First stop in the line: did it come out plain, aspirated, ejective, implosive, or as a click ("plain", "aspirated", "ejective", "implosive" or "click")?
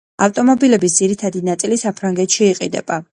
ejective